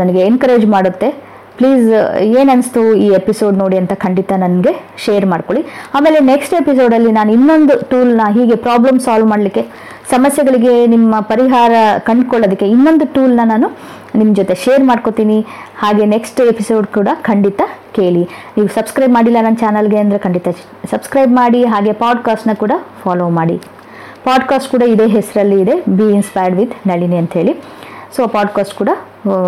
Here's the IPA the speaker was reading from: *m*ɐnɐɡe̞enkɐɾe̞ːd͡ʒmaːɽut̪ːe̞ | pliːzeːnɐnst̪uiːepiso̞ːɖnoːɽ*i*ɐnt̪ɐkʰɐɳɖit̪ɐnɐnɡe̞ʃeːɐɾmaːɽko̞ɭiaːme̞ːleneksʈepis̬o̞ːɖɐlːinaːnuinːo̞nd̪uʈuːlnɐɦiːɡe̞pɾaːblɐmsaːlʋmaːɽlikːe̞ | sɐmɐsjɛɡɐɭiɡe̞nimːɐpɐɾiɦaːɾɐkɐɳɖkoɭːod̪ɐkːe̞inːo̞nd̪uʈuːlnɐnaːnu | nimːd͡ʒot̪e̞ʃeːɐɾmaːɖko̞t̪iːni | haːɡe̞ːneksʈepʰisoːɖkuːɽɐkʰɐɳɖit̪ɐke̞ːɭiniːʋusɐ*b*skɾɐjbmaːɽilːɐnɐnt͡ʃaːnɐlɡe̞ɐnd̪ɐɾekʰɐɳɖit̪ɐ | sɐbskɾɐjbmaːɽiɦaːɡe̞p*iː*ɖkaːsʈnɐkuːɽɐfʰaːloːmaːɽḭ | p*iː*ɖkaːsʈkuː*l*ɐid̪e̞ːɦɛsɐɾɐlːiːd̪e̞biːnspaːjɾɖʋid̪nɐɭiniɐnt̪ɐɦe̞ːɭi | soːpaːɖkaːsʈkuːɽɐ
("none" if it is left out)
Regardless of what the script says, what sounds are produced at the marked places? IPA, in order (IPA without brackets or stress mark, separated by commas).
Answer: n, i, b, aː, aː, ɽ